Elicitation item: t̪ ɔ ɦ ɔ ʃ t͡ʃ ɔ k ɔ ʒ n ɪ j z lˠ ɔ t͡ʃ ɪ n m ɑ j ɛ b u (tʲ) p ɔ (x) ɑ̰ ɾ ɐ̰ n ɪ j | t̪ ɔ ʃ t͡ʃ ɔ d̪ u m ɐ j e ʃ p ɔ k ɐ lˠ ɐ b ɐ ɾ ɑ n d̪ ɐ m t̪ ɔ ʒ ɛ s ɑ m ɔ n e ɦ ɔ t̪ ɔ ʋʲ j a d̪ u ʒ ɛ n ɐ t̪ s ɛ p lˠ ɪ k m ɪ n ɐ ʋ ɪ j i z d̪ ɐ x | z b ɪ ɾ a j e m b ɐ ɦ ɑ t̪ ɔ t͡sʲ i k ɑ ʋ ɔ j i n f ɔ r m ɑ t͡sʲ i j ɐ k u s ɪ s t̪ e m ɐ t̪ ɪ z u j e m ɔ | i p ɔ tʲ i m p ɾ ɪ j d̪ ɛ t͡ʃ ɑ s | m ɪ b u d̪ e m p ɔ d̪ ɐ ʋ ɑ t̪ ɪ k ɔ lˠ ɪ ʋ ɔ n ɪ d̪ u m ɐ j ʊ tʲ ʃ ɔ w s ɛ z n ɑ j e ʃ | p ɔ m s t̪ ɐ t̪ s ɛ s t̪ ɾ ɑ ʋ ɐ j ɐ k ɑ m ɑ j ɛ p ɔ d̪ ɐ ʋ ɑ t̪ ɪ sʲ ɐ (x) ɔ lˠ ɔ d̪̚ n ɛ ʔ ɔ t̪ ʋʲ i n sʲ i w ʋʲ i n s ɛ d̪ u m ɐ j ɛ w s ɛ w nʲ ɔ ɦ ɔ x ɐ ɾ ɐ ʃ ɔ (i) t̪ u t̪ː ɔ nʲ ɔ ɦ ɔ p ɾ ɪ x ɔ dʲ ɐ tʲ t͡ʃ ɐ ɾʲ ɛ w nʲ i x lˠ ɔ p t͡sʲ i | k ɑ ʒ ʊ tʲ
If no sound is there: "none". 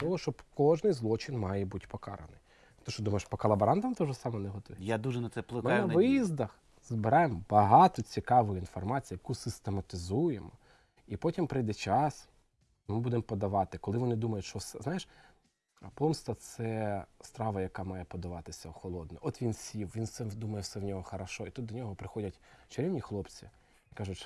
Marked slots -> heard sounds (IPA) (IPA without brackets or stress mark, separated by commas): tʲ, k, x, i